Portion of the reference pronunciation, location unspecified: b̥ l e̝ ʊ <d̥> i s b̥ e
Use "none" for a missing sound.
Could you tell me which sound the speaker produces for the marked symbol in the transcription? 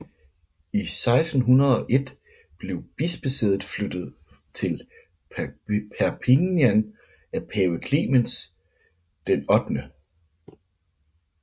b̥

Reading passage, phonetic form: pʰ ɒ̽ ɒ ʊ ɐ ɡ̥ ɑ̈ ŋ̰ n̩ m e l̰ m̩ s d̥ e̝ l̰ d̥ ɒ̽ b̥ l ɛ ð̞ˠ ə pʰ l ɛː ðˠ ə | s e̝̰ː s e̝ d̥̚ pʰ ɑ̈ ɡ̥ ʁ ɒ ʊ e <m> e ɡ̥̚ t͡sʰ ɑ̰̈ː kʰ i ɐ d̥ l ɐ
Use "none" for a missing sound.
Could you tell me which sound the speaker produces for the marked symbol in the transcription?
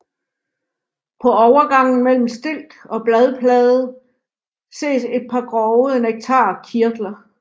n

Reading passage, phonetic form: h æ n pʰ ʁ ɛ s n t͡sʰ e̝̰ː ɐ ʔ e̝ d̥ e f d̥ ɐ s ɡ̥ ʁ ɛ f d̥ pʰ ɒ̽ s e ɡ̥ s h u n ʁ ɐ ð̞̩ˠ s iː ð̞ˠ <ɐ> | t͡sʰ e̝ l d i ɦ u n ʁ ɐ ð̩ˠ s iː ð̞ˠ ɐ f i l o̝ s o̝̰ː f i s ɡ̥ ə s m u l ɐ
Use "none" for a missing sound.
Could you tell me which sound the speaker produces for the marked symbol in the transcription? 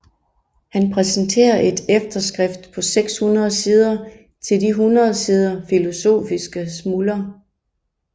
ɐ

